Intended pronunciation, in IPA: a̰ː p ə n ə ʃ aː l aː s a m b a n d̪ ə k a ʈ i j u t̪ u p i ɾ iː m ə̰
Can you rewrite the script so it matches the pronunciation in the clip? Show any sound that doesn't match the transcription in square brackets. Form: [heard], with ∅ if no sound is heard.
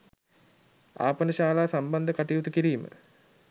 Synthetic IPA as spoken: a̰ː p ə n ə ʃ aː l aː s a m b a n d̪ ə k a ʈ i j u t̪ u [k] i ɾ iː m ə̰

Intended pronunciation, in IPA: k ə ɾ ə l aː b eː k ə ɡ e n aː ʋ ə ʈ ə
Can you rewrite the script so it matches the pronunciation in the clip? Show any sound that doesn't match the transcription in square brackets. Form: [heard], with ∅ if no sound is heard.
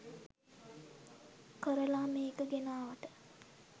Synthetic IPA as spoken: k ə ɾ ə l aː [m] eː k ə ɡ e n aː ʋ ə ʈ ə

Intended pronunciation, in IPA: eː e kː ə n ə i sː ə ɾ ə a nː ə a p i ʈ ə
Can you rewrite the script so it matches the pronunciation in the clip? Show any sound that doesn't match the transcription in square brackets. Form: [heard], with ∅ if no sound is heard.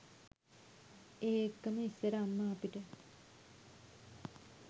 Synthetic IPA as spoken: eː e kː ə [m] ə i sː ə ɾ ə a [mː] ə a p i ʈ ə

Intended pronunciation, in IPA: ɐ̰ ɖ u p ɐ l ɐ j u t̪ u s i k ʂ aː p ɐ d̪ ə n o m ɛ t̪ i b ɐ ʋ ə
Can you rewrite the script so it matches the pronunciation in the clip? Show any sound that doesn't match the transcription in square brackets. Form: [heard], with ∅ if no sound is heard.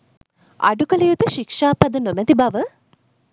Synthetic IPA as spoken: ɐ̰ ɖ u [k] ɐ l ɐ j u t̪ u [ʃ] i k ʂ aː p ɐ d̪ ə n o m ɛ t̪ i b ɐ ʋ ə

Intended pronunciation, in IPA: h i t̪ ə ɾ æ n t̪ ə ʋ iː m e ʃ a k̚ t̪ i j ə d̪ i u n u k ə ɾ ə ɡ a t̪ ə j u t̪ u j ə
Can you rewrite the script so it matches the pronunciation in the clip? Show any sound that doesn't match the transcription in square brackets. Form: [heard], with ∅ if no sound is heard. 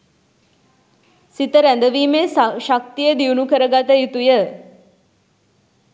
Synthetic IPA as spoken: [s] i t̪ ə ɾ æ n [d̪] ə ʋ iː m e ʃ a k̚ t̪ i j ə d̪ i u n u k ə ɾ ə ɡ a t̪ ə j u t̪ u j ə

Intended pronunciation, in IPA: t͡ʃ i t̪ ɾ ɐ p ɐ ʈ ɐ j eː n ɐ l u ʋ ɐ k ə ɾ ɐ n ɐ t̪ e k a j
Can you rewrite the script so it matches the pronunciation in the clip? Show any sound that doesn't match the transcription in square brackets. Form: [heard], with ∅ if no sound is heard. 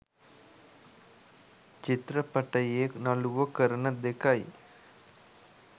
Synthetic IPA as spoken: t͡ʃ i t̪ ɾ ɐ p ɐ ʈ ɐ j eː n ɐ l u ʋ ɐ k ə ɾ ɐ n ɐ [d̪] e k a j

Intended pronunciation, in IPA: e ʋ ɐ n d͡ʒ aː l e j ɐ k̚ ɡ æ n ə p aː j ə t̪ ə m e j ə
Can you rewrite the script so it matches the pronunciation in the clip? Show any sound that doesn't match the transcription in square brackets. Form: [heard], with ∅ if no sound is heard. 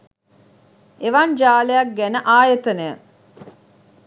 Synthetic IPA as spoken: e ʋ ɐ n d͡ʒ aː l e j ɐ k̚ ɡ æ n ə [ʔ] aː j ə t̪ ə [n] e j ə

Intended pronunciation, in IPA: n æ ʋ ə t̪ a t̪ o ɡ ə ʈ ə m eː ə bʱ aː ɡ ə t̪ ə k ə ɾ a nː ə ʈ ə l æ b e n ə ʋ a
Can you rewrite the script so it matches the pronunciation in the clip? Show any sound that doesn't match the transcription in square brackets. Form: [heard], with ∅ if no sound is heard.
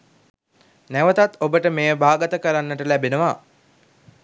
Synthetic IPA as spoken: n æ ʋ ə t̪ a t̪ o [b] ə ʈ ə m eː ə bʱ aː ɡ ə t̪ ə k ə ɾ a nː ə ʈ ə l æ b e n ə ʋ a

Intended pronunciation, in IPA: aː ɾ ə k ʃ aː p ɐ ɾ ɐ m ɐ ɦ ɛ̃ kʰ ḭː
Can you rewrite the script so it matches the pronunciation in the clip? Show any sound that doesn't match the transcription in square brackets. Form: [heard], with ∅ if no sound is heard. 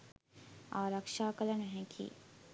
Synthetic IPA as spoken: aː ɾ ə k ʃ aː [k] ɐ [l] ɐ [n] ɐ ɦ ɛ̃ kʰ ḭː

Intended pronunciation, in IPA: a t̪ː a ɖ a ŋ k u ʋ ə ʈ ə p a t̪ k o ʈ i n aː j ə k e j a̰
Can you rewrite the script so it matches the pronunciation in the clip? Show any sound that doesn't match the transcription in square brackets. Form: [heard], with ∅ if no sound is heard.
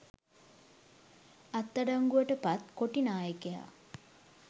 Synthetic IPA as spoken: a t̪ː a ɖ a ŋ [ɡ] u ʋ ə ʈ ə p a t̪ k o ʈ i n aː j ə k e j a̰

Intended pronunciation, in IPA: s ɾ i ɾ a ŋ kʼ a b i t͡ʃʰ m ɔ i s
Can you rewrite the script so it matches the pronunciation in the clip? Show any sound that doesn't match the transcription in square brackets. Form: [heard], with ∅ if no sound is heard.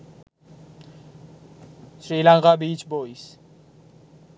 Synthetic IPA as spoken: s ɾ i [l] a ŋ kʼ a b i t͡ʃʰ [b] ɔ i s

